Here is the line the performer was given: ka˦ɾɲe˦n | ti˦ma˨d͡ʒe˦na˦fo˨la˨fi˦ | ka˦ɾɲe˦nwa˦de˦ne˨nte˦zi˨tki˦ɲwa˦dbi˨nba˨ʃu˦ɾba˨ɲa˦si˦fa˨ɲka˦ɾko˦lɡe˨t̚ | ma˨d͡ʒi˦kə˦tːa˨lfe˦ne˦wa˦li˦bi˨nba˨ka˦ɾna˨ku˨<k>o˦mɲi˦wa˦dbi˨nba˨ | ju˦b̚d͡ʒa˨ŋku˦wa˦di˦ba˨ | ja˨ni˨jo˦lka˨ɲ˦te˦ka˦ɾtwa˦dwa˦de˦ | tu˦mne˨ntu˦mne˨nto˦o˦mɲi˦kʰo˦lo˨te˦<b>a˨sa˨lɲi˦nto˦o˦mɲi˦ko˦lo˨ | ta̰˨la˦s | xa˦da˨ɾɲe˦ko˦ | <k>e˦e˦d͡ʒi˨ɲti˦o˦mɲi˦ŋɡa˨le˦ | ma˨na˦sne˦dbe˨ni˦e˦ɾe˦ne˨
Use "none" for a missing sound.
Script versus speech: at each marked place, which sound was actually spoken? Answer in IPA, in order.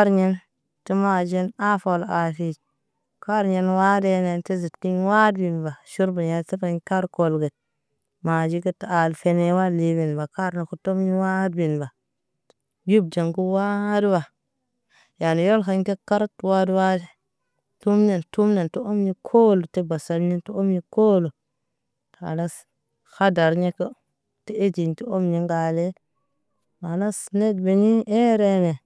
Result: t, b, t

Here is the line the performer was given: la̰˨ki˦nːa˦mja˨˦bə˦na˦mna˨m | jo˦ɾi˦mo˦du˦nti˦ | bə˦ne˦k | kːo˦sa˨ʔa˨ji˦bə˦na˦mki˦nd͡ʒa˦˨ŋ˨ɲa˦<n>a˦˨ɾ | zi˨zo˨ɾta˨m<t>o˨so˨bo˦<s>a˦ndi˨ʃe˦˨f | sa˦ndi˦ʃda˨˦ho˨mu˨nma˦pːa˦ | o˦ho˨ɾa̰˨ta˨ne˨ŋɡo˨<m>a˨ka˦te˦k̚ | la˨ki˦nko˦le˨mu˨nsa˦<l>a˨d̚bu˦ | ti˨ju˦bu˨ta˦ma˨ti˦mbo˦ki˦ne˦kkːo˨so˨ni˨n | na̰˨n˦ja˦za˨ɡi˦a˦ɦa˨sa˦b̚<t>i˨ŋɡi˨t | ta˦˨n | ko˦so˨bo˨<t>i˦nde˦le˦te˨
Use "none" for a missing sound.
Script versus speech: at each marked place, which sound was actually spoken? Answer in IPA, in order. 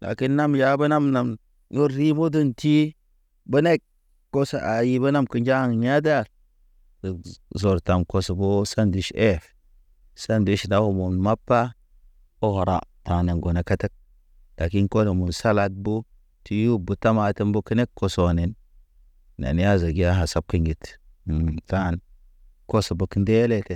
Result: d, k, s, n, l, k, k

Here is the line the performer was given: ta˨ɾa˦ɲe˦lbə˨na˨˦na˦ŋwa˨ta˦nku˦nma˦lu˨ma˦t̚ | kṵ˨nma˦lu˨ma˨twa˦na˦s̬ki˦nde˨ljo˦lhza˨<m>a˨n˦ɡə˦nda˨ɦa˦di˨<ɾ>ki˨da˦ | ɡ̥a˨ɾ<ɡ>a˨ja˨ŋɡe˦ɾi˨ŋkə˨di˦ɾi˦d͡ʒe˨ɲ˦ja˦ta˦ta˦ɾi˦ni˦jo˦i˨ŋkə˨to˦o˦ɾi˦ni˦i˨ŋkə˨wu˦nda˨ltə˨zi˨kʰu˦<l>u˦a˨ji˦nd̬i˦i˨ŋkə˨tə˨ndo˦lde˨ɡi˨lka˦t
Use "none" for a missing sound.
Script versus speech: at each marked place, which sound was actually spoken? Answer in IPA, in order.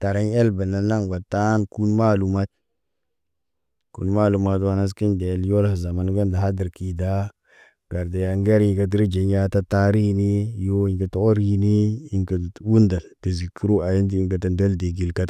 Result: m, ɾ, d, ɾ

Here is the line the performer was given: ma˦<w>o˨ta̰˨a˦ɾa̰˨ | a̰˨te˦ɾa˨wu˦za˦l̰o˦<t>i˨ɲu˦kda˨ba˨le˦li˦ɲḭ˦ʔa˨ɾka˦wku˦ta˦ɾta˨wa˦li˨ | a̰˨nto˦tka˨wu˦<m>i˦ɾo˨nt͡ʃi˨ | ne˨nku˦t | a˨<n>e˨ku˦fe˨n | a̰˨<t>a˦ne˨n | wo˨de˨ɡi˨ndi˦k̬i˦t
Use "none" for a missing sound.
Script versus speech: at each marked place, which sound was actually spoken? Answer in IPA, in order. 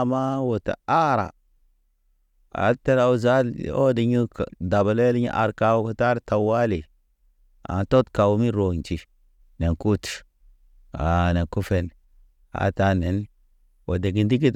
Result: w, d, m, n, t

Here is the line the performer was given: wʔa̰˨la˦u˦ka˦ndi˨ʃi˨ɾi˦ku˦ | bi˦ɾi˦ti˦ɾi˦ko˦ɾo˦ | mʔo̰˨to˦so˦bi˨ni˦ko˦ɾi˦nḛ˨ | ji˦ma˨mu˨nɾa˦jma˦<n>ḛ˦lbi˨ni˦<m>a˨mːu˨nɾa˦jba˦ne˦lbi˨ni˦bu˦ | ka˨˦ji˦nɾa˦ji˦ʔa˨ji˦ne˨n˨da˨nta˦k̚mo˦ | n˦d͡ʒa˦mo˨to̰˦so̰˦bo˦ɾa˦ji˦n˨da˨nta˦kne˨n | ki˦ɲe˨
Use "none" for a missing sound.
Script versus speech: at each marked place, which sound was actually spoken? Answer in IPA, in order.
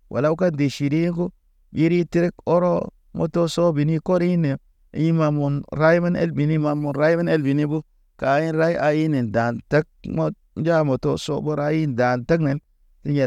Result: n, m

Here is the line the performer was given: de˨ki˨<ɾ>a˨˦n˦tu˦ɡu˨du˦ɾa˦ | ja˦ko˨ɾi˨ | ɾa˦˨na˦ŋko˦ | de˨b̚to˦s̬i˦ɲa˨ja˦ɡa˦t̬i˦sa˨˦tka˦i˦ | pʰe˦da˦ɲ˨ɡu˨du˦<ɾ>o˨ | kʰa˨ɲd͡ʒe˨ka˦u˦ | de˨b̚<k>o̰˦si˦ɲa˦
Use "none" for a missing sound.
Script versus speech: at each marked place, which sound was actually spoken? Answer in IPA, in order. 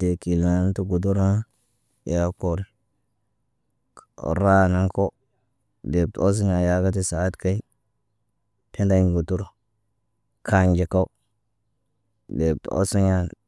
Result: l, ɾ, t

